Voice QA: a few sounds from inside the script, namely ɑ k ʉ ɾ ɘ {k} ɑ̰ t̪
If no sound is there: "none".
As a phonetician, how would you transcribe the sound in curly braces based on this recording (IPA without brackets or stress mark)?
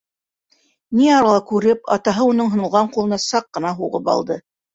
p